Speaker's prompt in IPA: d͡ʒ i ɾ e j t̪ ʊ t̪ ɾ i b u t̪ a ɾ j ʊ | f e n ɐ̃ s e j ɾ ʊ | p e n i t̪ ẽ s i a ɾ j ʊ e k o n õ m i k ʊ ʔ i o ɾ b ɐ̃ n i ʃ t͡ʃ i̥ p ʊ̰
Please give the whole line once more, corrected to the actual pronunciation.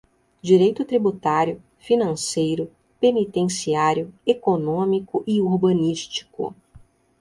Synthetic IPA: d͡ʒ i ɾ e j t̪ ʊ t̪ ɾ i b u t̪ a ɾ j ʊ | f i n ɐ̃ s e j ɾ ʊ | p e n i t̪ ẽ s i a ɾ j ʊ e k o n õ m i k ʊ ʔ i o ɾ b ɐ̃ n i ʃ t͡ʃ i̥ k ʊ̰

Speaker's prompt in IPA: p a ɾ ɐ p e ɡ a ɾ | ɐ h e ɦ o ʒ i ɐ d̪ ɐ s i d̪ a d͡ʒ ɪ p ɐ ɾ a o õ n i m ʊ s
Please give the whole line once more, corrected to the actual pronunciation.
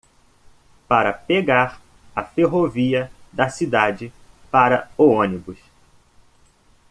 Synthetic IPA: p a ɾ ɐ p e ɡ a ɾ | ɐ f e ɦ o v i ɐ d̪ ɐ s i d̪ a d͡ʒ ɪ p a ɾ ɐ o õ n i b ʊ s

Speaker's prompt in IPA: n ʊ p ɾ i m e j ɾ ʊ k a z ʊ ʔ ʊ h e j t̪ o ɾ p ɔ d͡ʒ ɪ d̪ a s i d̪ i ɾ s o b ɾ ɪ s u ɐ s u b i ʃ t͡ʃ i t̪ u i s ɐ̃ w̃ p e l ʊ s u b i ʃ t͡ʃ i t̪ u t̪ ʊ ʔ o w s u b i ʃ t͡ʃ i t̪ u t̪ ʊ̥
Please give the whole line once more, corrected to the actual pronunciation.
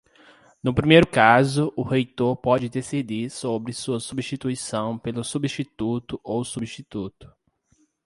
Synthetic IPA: n ʊ p ɾ i m e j ɾ ʊ k a z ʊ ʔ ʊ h e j t̪ o ɾ p ɔ d͡ʒ ɪ d̪ e s i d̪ i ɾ s o b ɾ ɪ s u ɐ s u b i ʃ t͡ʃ i t̪ u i s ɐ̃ w̃ p e l ʊ s u b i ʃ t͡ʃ i t̪ u t̪ ʊ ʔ o w s u b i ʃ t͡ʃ i t̪ u t̪ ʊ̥

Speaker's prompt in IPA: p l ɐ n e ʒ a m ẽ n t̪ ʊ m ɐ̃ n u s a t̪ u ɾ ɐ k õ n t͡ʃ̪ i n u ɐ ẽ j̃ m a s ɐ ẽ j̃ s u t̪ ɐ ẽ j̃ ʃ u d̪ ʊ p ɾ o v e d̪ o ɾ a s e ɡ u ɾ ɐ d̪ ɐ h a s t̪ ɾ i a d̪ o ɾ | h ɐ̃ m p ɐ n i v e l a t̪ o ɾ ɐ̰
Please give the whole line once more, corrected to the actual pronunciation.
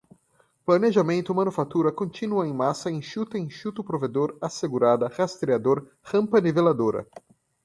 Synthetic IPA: p l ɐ n e ʒ a m ẽ n t̪ ʊ m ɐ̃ n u f a t̪ u ɾ ɐ k õ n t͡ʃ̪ i n u ɐ ẽ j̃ m a s ɐ ẽ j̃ ʃ u t̪ ɐ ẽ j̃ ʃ u t̪ ʊ p ɾ o v e d̪ o ɾ a s e ɡ u ɾ a d̪ ɐ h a s t̪ ɾ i a d̪ o ɾ | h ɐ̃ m p ɐ n i v e l a d̪ o ɾ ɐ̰

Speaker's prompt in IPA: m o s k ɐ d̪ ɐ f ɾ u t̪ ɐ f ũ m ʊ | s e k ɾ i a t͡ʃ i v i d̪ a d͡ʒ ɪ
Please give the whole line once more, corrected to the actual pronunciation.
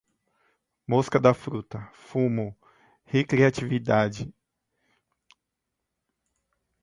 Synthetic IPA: m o s k ɐ d̪ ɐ f ɾ u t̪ ɐ f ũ m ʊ | h e k ɾ i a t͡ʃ i v i d̪ a d͡ʒ ɪ

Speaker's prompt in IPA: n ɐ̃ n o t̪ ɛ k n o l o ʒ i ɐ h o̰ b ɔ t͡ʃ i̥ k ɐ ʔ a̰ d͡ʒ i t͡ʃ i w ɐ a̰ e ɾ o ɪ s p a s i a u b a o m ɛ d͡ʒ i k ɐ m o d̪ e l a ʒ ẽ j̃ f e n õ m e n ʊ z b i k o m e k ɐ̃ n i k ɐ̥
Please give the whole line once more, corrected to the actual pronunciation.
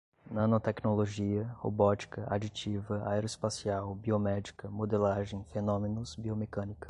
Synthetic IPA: n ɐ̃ n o t̪ ɛ k n o l o ʒ i ɐ h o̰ b ɔ t͡ʃ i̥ k ɐ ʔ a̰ d͡ʒ i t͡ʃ i v ɐ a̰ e ɾ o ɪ s p a s i a w b i o m ɛ d͡ʒ i k ɐ m o d̪ e l a ʒ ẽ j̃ f e n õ m e n ʊ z b i o m e k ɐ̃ n i k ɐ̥

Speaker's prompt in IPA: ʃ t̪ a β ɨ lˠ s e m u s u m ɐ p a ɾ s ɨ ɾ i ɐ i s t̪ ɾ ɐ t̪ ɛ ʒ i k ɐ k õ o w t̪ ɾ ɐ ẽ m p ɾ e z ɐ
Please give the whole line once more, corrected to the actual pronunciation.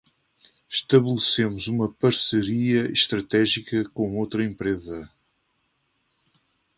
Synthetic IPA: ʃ t̪ ɐ β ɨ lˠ s e m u z u m ɐ p ɐ ɾ s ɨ ɾ i ɐ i ʃ t̪ ɾ ɐ t̪ ɛ ʒ i k ɐ k õ o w t̪ ɾ ɐ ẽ m p ɾ e z ɐ

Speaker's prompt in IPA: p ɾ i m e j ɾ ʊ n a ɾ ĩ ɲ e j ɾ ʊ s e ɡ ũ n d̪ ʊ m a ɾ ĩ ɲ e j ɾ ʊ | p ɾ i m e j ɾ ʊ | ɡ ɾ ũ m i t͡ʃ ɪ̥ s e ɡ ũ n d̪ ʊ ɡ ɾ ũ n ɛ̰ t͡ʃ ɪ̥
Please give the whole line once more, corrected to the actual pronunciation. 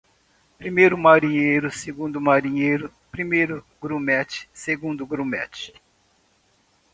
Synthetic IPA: p ɾ i m e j ɾ ʊ m a ɾ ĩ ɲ e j ɾ ʊ s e ɡ ũ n d̪ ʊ m a ɾ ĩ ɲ e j ɾ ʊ | p ɾ i m e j ɾ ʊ | ɡ ɾ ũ m ɛ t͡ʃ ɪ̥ s e ɡ ũ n d̪ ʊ ɡ ɾ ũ m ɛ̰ t͡ʃ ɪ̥

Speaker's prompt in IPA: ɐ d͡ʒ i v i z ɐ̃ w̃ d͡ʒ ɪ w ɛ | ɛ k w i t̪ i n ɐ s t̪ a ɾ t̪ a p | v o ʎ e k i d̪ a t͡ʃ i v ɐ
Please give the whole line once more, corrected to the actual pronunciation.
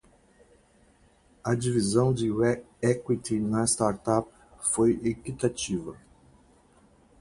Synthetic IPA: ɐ d͡ʒ i v i z ɐ̃ w̃ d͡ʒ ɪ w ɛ | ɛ k w i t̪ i n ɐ s t̪ a ɾ t̪ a p | f o j e k i t̪ a t͡ʃ i v ɐ

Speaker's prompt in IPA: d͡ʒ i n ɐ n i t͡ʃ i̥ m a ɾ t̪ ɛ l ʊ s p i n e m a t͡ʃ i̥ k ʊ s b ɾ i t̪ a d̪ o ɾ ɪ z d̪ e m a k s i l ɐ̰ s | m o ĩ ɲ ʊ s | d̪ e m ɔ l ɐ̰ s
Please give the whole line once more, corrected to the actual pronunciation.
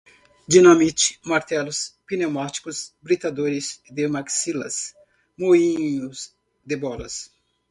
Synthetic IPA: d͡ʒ i n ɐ m i t͡ʃ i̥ m a ɾ t̪ ɛ l ʊ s p i n e m a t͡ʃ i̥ k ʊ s b ɾ i t̪ a d̪ o ɾ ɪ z d̪ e m a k s i l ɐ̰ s | m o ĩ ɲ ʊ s | d̪ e b ɔ l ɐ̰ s

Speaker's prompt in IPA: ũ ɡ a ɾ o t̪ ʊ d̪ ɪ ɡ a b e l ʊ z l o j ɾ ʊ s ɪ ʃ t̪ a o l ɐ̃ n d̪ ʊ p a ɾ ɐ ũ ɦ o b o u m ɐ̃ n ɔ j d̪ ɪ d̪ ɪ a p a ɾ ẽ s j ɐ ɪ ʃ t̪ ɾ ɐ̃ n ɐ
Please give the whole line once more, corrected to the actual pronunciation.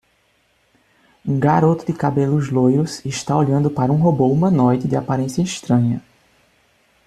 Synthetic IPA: ũ ɡ a ɾ o t̪ ʊ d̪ ɪ k a b e l ʊ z l o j ɾ ʊ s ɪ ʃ t̪ a o ʎ ɐ̃ n d̪ ʊ p a ɾ ɐ ũ ɦ o b o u m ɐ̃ n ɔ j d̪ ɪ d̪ ɪ a p a ɾ ẽ s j ɐ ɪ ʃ t̪ ɾ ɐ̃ ɲ ɐ

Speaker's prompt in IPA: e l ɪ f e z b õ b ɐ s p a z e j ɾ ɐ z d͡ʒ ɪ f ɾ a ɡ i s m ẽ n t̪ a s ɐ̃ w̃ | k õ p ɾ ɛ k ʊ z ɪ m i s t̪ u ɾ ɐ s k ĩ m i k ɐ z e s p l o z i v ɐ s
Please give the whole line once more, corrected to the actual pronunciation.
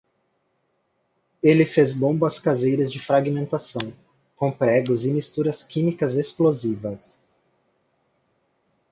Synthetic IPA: e l ɪ f e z b õ b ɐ s k a z e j ɾ ɐ z d͡ʒ ɪ f ɾ a ɡ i m ẽ n t̪ a s ɐ̃ w̃ | k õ p ɾ ɛ ɡ ʊ z ɪ m i s t̪ u ɾ ɐ s k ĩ m i k ɐ z e s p l o z i v ɐ s

